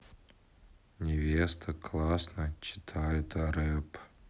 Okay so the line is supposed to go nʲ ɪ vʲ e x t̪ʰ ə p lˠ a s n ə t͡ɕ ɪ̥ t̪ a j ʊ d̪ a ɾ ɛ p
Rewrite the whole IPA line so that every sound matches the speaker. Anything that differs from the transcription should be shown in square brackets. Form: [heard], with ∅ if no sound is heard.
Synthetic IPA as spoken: nʲ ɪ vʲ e [s] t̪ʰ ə [k] lˠ a s n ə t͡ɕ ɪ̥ [t̪ʰ] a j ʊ [t̪] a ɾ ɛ p